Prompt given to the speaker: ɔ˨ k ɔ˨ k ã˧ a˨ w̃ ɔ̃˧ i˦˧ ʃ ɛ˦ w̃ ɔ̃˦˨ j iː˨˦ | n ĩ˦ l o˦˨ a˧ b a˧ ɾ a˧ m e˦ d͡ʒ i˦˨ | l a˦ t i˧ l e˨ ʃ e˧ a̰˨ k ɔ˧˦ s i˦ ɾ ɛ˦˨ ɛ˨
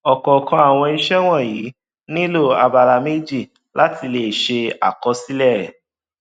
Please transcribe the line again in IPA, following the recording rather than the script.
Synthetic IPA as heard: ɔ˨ k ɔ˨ k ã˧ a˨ w̃ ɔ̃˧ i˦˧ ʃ ɛ˦ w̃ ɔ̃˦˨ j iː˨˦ | n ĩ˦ l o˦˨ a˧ b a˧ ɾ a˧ m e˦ d͡ʒ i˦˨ | l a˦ t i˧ l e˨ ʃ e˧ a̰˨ k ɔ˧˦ s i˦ l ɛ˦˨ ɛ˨